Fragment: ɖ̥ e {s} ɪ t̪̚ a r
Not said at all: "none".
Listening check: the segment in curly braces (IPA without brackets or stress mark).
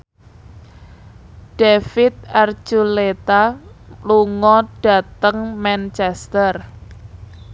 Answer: f